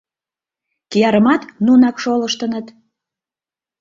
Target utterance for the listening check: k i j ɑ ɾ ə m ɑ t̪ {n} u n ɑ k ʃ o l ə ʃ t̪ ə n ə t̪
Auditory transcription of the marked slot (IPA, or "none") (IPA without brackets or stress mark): n